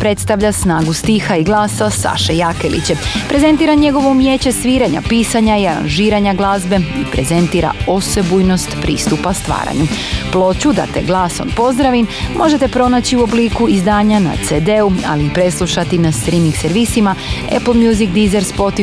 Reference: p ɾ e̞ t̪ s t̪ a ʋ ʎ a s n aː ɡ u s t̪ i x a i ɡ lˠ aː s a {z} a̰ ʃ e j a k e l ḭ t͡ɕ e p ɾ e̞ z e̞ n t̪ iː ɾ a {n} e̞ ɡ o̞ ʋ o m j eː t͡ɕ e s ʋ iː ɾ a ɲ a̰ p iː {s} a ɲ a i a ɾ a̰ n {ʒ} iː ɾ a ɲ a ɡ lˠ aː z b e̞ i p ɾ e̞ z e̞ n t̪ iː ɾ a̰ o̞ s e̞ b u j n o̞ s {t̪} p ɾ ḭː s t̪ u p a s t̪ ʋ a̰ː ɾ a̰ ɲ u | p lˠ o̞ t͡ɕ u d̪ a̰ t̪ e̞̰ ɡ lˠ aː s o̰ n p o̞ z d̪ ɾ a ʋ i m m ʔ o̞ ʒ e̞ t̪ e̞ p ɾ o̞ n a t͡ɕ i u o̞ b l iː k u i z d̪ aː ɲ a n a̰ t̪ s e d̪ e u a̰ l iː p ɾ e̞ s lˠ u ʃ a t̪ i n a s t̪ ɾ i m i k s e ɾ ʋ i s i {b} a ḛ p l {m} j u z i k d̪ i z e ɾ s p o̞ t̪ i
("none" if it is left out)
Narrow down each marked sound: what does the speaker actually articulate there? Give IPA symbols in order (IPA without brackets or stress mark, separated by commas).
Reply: s, ɲ, s, ʒ, t̪, m, m